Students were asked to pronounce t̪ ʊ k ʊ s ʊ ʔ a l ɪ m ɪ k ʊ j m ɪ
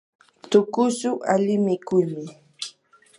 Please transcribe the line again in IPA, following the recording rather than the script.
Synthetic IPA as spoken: t̪ ʊ k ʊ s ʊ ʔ a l ɪ m ɪ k ʊ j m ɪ

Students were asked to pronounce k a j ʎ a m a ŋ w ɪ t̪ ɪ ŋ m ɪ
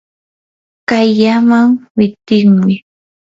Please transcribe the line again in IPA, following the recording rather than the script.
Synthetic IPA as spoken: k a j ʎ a m a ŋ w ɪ t̪ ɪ ŋ m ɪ

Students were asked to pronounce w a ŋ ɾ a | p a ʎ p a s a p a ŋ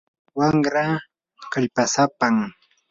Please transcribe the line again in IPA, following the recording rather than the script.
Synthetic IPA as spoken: w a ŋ ɾ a | k a ʎ p a s a p a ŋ

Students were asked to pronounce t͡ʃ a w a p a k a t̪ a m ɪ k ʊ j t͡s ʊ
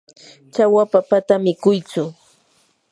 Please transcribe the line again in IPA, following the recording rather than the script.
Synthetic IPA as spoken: t͡ʃ a w a p a p a t̪ a m ɪ k ʊ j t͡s ʊ

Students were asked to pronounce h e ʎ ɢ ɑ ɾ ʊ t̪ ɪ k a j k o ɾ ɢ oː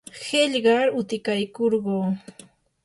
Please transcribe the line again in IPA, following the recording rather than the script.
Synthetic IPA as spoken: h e ʎ ɢ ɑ ɾ ʊ t̪ ɪ k a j k o ɾ ɢ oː

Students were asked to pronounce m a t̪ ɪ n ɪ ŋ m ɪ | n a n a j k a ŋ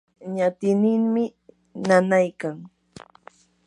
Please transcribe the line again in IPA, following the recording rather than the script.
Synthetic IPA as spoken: ɲ a t̪ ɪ n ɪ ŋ m ɪ | n a n a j k a ŋ

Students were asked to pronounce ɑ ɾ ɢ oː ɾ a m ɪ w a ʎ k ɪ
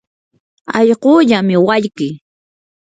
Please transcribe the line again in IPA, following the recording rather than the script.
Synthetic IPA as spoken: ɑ ʎ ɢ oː ʎ a m ɪ w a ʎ k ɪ

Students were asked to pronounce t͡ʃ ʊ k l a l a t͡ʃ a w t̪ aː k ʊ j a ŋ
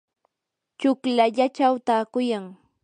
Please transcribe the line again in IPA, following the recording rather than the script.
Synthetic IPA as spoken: t͡ʃ ʊ k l a ʎ a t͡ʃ a w t̪ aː k ʊ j a ŋ

